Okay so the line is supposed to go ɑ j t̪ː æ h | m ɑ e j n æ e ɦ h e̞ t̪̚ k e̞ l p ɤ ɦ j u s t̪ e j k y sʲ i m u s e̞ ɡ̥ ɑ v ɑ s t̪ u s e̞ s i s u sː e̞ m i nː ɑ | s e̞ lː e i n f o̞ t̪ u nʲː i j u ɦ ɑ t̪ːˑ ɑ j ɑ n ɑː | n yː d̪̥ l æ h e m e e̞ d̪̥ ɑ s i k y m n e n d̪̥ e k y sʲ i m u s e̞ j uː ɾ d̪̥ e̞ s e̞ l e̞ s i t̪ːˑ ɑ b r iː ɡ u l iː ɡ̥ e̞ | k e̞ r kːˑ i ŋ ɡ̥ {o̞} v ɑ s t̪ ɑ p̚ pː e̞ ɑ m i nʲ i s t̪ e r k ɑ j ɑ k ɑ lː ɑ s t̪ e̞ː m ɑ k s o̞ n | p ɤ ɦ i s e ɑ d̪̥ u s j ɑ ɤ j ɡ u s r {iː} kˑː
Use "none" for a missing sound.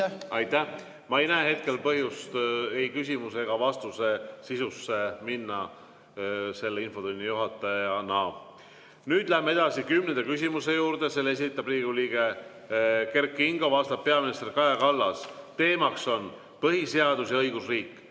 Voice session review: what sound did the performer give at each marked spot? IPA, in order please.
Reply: o̞, iː

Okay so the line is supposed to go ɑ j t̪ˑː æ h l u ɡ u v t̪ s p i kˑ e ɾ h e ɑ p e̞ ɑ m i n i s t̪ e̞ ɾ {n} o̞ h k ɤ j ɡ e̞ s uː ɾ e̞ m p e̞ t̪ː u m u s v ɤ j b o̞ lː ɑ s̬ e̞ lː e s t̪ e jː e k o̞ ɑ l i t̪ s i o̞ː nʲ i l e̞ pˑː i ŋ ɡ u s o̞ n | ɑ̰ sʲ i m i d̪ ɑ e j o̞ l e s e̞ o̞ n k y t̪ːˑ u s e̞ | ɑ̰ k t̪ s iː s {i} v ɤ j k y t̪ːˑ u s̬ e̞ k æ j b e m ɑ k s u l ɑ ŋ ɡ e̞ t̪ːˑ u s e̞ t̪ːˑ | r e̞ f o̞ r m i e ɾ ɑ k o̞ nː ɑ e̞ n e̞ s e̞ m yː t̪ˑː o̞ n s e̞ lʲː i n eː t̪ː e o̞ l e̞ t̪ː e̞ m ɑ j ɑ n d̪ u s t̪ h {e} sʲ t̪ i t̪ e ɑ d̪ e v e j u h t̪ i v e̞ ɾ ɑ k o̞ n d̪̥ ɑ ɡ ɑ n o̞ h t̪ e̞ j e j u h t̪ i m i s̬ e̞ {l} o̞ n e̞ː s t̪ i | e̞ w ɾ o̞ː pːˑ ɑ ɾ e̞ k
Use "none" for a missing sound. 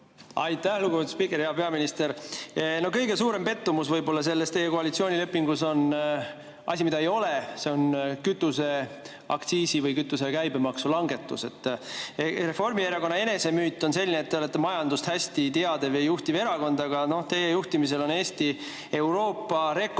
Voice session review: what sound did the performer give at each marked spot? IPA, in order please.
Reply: n, i, æ, l

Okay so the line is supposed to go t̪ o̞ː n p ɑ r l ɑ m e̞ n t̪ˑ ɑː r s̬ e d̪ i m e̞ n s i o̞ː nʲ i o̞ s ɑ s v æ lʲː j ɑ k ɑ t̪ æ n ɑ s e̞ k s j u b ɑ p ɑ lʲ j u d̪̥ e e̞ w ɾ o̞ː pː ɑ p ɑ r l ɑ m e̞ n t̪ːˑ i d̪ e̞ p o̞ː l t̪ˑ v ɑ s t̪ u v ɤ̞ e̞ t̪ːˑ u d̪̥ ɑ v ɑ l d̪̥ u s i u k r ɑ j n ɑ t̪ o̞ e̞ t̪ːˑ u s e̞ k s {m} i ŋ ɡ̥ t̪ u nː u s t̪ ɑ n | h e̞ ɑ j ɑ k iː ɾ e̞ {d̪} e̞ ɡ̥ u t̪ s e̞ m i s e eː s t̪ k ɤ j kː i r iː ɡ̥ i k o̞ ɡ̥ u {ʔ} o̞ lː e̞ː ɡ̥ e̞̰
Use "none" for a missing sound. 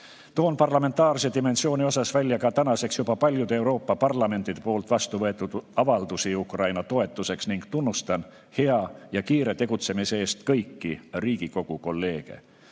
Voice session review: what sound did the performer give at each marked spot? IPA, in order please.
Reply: n, t̪, k

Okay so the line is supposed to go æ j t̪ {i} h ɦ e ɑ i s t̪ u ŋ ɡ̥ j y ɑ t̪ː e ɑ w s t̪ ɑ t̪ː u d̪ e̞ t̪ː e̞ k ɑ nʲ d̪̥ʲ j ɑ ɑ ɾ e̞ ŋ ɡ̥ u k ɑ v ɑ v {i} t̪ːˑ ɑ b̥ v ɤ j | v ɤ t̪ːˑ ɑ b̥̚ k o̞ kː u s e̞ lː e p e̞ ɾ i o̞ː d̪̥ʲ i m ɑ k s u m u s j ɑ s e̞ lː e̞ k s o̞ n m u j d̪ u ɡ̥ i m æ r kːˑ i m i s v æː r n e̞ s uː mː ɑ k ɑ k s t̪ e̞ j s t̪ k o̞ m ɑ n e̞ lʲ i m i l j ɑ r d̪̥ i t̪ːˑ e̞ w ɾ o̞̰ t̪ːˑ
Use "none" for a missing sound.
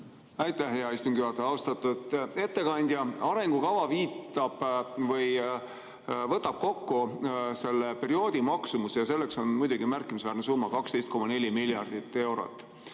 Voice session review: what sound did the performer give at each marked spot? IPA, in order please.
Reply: æ, iː

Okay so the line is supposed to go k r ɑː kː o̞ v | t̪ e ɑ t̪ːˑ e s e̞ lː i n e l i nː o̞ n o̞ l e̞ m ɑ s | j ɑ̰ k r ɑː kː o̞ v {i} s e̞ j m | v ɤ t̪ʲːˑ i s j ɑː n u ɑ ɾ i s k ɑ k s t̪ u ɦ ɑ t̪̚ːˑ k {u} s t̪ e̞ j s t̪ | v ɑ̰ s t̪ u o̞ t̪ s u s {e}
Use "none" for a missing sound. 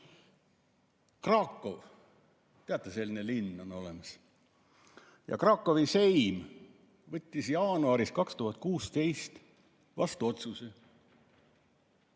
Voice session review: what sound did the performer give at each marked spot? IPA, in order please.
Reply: i, uː, e

